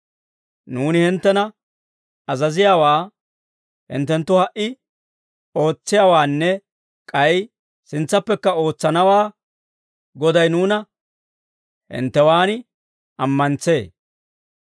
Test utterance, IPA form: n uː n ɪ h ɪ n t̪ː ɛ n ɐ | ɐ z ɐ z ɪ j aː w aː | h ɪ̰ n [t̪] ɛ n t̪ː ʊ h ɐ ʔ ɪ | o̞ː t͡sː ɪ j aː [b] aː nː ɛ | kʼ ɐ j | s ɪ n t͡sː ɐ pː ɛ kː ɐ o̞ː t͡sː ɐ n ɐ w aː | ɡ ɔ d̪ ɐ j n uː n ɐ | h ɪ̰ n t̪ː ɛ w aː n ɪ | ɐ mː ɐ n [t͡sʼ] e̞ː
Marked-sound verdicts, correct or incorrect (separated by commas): correct, incorrect, incorrect